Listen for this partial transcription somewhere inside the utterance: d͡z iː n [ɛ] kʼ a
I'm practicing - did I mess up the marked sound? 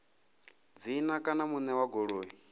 yes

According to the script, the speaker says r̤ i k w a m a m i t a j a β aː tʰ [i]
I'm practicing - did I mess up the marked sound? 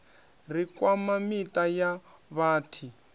no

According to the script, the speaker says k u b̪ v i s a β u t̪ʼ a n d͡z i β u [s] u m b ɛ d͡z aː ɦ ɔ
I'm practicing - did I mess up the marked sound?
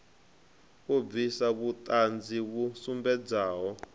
no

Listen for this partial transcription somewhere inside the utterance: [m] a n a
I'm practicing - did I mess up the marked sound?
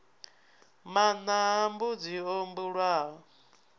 no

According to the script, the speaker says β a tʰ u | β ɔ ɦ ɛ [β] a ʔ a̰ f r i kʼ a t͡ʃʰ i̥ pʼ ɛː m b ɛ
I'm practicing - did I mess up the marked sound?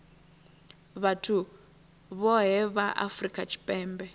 no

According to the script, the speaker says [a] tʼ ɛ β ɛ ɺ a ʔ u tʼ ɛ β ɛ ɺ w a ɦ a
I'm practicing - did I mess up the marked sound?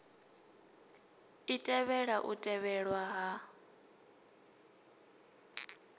yes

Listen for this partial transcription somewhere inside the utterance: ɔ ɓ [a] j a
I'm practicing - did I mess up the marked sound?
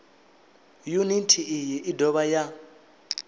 no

